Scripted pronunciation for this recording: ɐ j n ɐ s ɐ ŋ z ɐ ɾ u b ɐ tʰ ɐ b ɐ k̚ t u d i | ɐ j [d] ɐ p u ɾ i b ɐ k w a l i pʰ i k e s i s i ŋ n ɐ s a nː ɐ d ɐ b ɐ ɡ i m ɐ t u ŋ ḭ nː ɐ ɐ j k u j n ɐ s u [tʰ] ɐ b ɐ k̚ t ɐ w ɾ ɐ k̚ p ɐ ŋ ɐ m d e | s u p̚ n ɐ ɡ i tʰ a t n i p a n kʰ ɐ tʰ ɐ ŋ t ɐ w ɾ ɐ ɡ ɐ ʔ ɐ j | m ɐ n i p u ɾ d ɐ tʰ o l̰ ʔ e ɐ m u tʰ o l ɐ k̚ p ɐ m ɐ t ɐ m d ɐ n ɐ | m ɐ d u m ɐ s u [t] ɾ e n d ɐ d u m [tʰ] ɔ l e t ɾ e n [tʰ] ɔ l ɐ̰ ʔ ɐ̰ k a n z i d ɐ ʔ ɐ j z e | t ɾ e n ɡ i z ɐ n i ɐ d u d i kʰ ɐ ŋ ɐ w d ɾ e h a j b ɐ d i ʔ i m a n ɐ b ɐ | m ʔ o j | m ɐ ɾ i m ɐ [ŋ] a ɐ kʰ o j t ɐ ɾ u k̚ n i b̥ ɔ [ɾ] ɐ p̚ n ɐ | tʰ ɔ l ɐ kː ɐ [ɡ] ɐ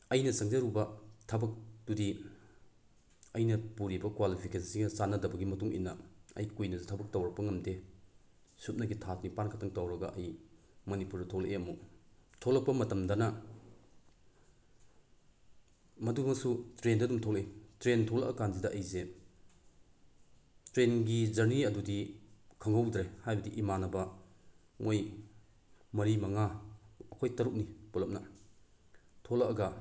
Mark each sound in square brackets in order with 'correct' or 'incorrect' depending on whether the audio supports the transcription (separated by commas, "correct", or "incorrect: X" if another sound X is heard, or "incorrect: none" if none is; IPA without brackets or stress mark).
incorrect: n, correct, correct, correct, correct, correct, incorrect: l, correct